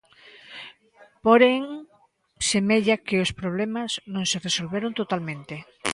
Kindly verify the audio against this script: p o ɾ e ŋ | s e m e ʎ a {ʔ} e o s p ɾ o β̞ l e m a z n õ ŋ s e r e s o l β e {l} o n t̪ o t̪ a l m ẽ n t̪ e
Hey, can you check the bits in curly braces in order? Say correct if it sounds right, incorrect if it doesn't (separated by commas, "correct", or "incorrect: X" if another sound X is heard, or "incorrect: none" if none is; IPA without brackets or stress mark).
incorrect: k, incorrect: ɾ